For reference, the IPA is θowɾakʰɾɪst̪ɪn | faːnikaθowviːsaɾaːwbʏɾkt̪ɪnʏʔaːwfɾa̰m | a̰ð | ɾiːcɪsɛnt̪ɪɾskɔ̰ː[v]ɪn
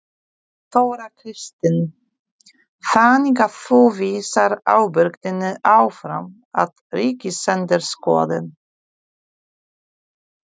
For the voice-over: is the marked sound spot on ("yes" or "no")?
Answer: no